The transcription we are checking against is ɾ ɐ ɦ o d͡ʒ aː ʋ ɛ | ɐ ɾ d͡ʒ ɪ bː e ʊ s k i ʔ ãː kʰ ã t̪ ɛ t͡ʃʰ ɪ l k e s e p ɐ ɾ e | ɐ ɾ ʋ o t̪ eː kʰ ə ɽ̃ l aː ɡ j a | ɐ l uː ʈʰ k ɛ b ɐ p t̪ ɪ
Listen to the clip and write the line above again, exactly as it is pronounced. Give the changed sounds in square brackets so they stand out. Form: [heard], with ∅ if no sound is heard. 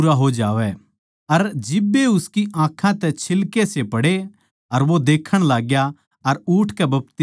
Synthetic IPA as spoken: ɾ [a] ɦ o d͡ʒ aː ʋ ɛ | ɐ ɾ d͡ʒ ɪ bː e ʊ s k i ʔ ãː kʰ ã t̪ ɛ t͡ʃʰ ɪ l k e s e p ɐ [ɽ] e | ɐ ɾ ʋ o [d̪] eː kʰ ə ɽ̃ l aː ɡ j a | ɐ [ɾ] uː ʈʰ k ɛ b ɐ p t̪ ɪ